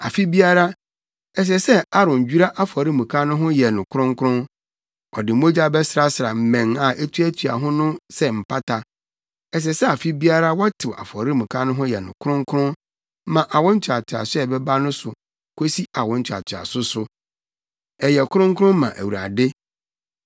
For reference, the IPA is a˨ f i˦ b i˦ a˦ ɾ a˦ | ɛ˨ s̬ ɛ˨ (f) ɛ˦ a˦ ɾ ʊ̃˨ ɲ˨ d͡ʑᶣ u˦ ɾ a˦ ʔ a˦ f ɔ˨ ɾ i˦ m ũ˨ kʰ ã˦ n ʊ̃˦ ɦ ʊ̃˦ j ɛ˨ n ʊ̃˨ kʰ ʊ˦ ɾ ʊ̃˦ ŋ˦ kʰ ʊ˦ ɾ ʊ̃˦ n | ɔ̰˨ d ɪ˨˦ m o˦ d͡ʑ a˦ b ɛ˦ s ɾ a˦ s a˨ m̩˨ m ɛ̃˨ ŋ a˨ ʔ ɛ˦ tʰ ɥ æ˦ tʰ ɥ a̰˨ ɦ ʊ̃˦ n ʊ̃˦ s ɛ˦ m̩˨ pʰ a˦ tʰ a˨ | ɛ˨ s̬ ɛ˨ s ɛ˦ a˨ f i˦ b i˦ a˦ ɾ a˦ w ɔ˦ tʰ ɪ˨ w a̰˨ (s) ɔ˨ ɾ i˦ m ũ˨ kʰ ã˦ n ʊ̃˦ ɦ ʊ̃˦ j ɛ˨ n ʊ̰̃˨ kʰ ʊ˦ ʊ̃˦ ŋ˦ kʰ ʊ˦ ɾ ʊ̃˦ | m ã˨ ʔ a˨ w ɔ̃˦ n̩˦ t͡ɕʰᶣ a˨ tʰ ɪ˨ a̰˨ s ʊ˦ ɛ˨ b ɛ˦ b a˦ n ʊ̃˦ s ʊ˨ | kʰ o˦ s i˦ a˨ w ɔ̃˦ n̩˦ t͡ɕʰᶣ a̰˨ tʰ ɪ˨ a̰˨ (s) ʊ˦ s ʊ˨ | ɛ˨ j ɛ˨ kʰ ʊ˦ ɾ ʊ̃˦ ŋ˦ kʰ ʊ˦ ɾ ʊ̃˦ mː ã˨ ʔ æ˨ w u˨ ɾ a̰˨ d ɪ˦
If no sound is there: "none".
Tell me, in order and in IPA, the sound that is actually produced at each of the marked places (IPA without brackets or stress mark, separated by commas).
s, f, s